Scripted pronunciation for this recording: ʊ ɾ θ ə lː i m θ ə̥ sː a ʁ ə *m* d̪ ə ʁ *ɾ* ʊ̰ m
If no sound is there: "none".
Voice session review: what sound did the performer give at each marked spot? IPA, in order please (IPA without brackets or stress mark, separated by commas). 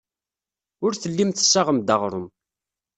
m, ɾ